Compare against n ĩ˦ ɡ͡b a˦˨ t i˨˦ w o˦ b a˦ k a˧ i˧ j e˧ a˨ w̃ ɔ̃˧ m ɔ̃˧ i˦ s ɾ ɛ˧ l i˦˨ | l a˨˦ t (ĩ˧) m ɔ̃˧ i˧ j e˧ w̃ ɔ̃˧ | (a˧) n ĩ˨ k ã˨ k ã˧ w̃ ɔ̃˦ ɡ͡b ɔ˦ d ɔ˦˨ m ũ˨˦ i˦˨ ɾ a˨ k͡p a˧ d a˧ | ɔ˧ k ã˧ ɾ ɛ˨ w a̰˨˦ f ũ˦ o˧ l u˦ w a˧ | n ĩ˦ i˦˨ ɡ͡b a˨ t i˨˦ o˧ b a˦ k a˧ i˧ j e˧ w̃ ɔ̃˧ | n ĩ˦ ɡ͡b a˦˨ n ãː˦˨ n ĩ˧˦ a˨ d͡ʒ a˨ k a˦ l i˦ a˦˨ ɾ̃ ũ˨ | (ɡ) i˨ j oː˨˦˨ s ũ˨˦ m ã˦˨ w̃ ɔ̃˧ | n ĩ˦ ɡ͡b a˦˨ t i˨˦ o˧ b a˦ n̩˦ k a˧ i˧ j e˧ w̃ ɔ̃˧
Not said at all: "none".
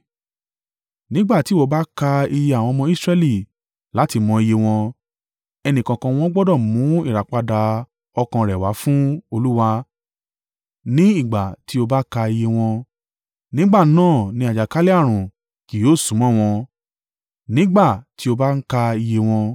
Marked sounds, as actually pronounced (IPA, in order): i˧, ɛ˧, k

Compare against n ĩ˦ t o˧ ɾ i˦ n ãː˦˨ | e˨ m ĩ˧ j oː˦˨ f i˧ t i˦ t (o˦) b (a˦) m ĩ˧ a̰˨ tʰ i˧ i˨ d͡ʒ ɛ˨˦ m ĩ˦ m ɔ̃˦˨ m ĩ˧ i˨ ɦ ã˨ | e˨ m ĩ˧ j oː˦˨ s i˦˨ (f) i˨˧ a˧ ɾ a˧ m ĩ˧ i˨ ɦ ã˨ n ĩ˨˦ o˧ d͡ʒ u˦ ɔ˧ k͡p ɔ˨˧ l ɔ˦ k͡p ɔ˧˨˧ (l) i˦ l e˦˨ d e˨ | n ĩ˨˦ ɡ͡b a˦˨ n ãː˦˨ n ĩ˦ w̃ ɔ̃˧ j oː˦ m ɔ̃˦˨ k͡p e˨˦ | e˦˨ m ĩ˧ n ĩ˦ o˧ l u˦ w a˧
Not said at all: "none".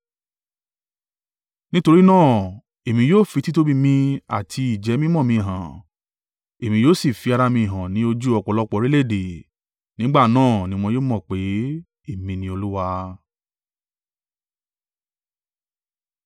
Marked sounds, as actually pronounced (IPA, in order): o˦, i˦, f, ɾ

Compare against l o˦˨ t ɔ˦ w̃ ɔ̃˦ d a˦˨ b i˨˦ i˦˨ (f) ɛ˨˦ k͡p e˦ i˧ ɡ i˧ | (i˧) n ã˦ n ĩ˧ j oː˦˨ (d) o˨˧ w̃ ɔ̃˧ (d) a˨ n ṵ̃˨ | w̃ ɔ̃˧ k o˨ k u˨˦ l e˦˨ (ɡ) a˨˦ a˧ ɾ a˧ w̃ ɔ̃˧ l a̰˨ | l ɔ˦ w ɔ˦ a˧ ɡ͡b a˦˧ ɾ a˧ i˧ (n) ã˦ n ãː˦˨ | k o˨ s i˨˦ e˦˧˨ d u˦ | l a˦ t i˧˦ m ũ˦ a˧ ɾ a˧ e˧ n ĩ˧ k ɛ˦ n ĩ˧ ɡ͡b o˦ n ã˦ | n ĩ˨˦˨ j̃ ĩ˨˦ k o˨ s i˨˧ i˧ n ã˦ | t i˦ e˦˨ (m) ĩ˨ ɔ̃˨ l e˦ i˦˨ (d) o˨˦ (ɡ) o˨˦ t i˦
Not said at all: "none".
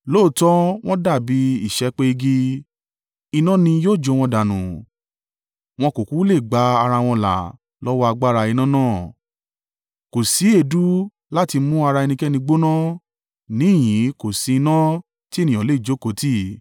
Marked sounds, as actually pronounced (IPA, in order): ʃ, i˧, d͡ʒ, d, ɡ͡b, n, n, d͡ʒ, k

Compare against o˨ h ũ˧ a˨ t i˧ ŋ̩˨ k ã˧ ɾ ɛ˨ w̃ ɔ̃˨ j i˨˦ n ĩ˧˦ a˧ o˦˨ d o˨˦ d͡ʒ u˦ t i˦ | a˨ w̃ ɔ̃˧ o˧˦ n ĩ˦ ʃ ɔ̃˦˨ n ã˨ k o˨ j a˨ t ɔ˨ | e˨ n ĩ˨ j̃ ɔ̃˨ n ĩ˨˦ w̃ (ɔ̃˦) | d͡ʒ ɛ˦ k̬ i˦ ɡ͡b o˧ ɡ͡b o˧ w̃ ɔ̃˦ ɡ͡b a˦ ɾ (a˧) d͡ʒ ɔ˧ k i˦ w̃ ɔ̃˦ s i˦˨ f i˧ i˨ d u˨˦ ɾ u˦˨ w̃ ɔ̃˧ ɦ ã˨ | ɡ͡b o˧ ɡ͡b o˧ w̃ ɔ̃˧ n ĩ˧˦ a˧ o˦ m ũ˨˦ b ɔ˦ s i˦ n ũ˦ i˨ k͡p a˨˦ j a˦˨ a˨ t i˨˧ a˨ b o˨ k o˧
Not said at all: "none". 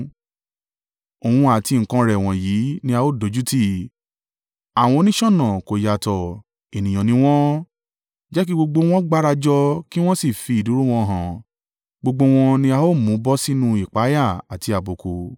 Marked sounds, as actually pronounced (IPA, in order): ɔ̃˦, a˧

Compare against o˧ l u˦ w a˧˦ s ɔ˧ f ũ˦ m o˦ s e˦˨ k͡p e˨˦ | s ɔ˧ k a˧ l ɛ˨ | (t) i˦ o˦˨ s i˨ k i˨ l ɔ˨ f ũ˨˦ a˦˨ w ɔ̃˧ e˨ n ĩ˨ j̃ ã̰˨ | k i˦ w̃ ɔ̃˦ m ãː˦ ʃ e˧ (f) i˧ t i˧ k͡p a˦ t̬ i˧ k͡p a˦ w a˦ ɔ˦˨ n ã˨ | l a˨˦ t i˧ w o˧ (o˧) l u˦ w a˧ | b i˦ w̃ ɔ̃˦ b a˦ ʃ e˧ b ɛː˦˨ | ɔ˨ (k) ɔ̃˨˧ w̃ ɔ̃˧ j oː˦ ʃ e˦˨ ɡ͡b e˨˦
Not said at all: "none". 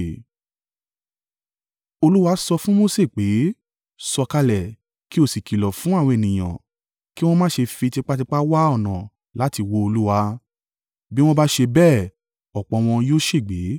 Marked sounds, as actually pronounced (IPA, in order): k, f, o˧, k͡p

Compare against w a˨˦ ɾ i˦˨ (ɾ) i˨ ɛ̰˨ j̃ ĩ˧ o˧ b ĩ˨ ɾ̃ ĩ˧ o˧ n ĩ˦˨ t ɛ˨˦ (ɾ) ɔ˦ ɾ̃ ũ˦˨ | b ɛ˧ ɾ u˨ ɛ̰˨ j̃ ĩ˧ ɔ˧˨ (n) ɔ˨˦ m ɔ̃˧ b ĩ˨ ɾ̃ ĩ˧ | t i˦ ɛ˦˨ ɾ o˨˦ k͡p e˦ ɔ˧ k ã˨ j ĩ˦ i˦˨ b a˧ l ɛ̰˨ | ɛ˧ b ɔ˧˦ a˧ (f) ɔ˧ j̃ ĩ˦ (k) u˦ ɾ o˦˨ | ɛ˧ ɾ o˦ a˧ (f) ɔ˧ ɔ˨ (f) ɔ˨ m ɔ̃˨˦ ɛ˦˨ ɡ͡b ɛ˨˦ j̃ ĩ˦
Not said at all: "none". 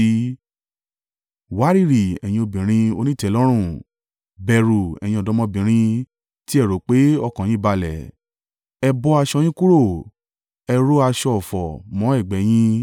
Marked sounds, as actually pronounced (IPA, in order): ɾ, l, d, ʃ, k, ʃ, f

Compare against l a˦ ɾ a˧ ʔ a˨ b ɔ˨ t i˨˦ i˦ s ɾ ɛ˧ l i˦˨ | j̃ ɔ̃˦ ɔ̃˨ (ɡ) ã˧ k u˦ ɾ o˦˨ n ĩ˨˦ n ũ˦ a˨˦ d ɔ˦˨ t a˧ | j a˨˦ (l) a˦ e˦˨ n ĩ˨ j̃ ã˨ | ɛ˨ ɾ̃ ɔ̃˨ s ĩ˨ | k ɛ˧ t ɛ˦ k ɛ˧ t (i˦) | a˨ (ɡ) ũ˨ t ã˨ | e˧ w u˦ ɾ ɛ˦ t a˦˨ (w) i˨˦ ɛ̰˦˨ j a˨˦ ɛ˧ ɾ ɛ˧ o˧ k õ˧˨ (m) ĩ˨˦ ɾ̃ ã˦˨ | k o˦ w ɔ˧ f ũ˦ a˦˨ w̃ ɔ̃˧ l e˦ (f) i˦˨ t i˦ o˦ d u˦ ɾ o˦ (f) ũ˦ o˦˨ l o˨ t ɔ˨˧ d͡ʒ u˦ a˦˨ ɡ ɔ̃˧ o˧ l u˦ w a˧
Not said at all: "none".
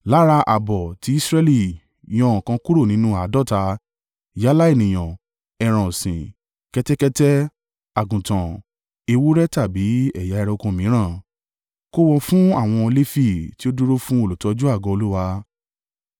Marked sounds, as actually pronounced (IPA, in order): k, l, ɛ˦, ɡ, b, m, f, f

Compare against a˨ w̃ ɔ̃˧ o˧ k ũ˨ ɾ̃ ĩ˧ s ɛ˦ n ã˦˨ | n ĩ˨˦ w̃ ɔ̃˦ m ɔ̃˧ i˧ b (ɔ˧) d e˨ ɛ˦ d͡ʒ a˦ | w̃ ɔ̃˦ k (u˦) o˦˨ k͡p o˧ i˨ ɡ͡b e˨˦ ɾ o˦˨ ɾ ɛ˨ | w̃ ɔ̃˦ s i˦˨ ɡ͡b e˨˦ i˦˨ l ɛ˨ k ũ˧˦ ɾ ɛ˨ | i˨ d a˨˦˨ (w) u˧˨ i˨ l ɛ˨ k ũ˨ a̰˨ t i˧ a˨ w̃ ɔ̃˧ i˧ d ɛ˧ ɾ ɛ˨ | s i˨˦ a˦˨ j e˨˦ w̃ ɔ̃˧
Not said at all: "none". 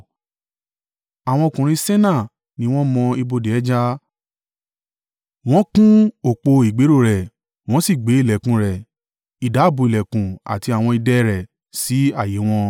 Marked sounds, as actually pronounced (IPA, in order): o˧, ũ˦, b

